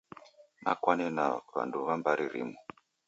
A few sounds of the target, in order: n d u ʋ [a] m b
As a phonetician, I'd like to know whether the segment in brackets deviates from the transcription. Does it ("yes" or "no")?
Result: no